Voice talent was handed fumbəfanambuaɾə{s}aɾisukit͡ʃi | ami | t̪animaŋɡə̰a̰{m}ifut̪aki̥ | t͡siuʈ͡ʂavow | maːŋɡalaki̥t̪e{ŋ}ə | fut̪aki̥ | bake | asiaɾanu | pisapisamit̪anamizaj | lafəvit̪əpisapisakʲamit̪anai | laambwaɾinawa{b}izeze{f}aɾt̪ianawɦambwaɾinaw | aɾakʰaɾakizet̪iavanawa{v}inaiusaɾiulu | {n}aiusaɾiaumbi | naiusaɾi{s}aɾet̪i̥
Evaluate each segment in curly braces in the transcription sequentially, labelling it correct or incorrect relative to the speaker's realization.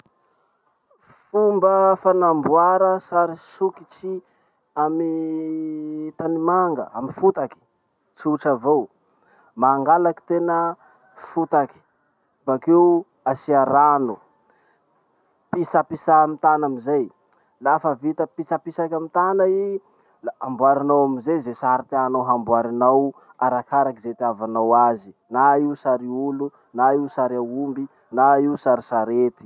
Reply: correct, correct, incorrect, incorrect, incorrect, incorrect, correct, correct

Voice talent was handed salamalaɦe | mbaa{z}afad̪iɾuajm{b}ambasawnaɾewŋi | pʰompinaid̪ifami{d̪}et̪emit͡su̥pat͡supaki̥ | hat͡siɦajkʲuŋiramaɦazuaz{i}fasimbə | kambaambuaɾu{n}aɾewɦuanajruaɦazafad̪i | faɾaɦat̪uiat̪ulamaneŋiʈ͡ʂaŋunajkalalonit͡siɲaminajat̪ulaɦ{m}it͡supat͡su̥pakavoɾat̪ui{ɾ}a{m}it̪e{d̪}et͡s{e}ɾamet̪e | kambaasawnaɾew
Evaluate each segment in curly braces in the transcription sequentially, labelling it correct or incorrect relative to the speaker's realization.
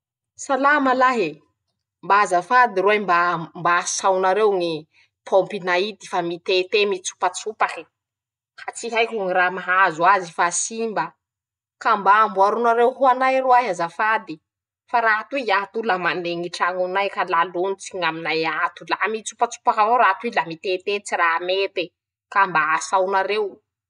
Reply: correct, correct, incorrect, correct, correct, correct, incorrect, correct, incorrect, incorrect

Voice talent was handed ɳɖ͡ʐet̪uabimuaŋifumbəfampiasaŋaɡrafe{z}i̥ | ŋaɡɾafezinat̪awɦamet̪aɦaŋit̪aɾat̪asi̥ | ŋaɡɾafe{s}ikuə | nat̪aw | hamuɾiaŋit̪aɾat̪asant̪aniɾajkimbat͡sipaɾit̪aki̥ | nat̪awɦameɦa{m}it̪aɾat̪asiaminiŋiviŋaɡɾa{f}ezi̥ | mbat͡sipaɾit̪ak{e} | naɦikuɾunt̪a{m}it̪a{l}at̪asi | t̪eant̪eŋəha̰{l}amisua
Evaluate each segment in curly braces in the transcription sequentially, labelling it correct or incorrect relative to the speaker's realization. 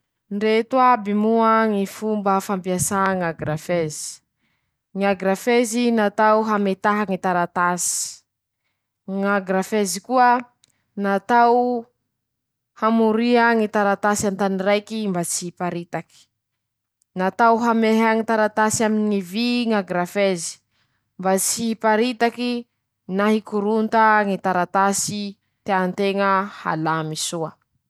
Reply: correct, incorrect, incorrect, correct, incorrect, incorrect, incorrect, correct

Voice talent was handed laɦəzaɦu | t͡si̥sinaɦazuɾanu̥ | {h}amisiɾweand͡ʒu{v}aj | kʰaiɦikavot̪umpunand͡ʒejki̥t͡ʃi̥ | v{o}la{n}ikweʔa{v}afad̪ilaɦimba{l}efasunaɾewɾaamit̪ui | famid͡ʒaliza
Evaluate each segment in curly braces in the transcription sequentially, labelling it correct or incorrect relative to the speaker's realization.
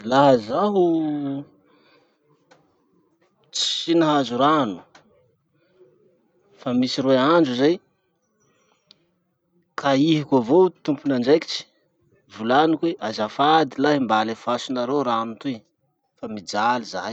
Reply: incorrect, incorrect, incorrect, correct, incorrect, correct

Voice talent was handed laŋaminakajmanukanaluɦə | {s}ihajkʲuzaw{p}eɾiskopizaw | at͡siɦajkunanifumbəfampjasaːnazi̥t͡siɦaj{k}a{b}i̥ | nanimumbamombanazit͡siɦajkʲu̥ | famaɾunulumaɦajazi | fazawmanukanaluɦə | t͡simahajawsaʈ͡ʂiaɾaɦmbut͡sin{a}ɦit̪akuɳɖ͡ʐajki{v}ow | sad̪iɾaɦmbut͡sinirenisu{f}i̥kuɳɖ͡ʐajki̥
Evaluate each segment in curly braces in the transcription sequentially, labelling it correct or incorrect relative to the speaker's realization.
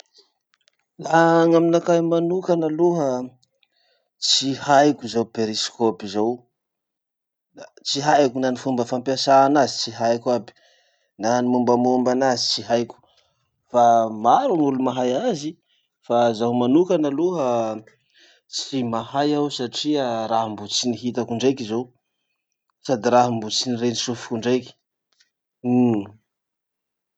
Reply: incorrect, correct, correct, correct, incorrect, incorrect, correct

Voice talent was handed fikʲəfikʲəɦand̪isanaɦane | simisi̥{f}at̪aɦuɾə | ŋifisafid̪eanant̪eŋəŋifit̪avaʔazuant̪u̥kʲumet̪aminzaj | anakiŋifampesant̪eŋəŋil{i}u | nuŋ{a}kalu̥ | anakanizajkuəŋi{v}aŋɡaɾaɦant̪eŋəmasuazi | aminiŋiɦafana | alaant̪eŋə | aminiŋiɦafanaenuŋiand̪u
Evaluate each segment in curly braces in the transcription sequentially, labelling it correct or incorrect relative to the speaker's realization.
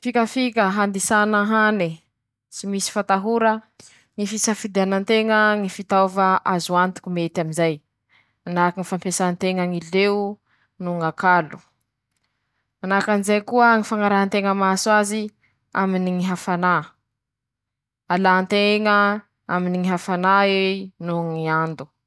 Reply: correct, incorrect, correct, incorrect

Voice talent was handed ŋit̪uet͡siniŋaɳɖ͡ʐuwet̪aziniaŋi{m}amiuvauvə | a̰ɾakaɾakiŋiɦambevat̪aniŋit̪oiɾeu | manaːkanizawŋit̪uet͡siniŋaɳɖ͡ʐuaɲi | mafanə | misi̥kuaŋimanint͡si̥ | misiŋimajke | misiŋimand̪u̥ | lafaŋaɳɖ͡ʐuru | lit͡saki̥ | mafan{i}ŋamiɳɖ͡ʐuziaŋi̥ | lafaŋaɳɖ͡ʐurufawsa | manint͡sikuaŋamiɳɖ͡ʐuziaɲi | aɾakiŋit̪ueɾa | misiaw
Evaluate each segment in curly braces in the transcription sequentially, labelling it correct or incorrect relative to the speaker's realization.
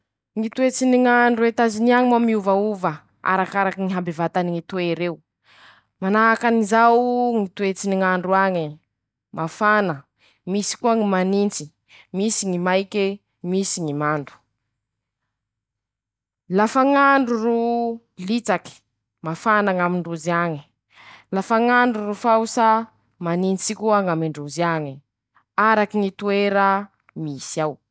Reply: correct, incorrect

